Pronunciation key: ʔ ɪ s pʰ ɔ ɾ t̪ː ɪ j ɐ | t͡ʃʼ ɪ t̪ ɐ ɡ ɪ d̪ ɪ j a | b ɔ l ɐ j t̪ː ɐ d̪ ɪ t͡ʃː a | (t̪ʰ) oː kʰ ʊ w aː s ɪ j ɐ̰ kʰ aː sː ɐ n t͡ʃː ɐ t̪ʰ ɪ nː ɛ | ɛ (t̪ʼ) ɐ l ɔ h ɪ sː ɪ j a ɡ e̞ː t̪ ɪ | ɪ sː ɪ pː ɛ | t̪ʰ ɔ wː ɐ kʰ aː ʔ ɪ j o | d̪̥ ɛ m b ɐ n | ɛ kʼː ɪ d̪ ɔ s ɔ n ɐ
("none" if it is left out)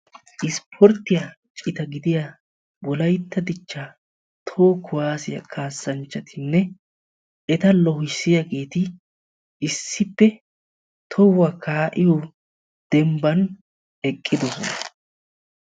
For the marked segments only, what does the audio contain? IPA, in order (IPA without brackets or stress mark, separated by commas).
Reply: t̪ʰ, t̪